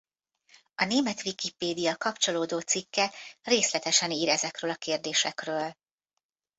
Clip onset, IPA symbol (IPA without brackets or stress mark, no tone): ɒ